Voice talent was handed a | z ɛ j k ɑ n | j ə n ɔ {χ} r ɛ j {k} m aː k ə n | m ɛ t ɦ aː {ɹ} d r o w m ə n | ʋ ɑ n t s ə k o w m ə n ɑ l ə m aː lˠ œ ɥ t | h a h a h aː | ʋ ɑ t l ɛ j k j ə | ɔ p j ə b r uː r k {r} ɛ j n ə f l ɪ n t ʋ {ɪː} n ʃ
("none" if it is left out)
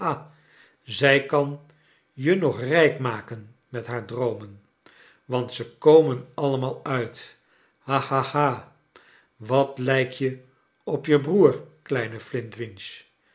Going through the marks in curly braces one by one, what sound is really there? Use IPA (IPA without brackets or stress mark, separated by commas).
χ, k, ɹ, l, ɪ